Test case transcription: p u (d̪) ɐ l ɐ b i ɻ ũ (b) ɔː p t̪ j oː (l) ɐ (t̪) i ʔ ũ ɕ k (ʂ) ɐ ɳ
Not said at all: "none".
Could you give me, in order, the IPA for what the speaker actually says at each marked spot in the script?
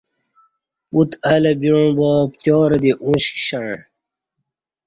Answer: t̪, b, ɾ, d̪, ɕ

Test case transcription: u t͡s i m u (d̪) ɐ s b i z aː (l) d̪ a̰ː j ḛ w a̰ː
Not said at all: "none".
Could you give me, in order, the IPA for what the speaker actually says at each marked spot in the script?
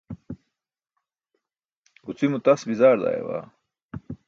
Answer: t̪, ɾ

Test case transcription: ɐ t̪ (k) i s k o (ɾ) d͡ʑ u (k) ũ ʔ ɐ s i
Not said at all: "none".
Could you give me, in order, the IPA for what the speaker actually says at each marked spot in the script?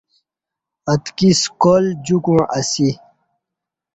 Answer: k, l, k

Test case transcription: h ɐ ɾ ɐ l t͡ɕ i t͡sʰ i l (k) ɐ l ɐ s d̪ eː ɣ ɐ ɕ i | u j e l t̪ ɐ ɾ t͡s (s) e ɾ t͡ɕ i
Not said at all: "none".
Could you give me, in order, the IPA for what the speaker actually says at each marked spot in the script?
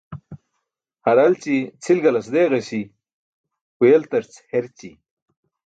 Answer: ɡ, h

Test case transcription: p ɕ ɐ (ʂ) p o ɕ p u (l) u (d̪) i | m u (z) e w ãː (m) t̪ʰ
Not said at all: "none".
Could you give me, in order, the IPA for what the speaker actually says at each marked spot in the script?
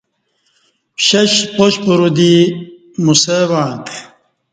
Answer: ɕ, ɾ, d̪, s, none

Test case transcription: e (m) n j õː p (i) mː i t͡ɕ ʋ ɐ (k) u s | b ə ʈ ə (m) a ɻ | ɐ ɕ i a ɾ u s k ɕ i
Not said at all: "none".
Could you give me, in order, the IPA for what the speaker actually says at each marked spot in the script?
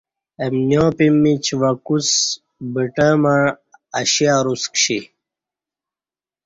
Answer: m, i, k, m

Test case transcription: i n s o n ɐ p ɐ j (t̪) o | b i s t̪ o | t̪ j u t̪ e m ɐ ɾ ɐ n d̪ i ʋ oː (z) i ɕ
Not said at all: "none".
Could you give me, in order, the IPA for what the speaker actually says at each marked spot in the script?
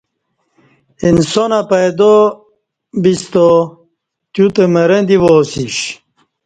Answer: d̪, s

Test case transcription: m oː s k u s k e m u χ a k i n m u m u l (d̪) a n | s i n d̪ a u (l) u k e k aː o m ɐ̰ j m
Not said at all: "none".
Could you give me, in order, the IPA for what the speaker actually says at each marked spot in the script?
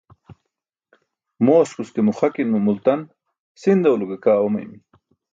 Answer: t̪, l

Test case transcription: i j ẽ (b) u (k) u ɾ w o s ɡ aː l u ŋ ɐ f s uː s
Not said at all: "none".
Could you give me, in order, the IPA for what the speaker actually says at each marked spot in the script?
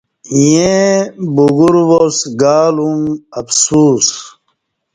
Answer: b, ɡ

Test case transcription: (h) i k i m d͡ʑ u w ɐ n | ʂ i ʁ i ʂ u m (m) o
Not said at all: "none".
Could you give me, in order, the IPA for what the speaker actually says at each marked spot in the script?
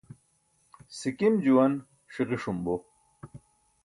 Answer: s, b

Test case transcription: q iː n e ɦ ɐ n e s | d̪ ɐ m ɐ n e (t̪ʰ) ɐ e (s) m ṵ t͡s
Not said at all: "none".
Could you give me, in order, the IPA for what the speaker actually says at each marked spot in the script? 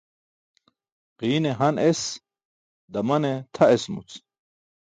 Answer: t̪ʰ, s

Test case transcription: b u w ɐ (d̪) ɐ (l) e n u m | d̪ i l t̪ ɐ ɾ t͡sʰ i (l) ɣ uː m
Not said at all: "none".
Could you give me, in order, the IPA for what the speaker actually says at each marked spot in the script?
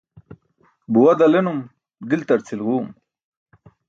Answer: d̪, l, l

